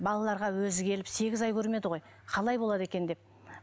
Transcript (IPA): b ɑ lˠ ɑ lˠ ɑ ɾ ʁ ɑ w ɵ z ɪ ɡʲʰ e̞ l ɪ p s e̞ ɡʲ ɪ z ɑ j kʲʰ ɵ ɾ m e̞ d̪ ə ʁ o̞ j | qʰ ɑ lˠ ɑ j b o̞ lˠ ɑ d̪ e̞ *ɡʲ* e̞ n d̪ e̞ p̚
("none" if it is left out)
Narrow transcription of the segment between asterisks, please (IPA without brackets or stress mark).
kʲ